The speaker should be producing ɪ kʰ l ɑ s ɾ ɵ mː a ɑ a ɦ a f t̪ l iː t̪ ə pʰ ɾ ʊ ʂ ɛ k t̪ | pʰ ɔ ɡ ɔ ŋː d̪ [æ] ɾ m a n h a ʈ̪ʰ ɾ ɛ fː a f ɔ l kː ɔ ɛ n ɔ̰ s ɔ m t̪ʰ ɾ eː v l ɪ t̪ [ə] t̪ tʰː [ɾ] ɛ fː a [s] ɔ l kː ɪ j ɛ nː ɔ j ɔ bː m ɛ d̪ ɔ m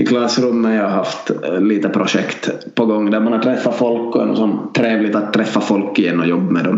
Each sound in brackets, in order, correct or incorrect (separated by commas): correct, incorrect, correct, incorrect